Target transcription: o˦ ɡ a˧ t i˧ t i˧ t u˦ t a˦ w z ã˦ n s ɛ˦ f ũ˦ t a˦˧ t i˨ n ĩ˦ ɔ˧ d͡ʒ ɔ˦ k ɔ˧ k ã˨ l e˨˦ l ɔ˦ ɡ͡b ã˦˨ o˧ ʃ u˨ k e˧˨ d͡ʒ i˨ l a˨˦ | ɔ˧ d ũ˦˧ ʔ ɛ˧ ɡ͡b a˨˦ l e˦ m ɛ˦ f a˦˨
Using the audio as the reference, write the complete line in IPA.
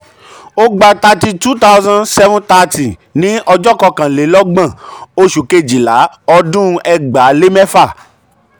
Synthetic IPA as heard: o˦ ɡ͡b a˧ t a˧ t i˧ t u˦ t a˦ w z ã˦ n s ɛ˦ v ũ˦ t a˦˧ t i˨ n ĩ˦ ɔ˧ d͡ʒ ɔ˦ k ɔ˧ k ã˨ l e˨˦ l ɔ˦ ɡ͡b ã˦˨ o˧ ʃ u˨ k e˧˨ d͡ʒ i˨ l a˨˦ | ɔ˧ d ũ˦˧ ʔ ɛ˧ ɡ͡b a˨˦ l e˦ m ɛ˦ f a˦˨